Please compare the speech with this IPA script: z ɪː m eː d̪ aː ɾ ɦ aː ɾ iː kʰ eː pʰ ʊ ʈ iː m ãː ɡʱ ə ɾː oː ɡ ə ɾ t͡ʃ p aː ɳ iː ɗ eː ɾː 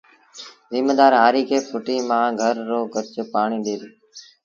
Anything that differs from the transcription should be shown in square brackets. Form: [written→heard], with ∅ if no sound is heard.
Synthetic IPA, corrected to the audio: z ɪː m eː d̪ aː ɾ ɦ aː ɾ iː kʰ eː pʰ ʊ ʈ iː m ãː ɡʱ ə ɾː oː ɡ ə ɾ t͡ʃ p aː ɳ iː ɗ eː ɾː